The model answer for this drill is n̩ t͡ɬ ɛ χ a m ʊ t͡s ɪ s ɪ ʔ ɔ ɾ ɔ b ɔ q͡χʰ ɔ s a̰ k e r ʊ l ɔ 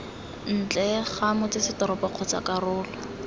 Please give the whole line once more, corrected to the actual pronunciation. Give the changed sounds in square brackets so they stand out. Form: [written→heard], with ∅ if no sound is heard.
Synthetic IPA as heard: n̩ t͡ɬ ɛ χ a m ʊ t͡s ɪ s ɪ [ʔ→t] ɔ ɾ ɔ [b→p] ɔ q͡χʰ ɔ [s→t͡s] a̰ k [e→a] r [ʊ→ʊː] l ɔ